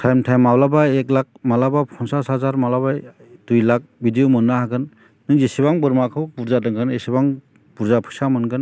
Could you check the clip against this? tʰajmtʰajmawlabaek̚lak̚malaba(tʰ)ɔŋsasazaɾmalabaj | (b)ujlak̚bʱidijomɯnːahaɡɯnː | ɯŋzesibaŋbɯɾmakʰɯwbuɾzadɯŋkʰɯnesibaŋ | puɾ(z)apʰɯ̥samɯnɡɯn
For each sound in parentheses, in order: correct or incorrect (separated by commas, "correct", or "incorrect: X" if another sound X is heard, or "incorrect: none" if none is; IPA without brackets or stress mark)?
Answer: incorrect: pʰ, incorrect: d, correct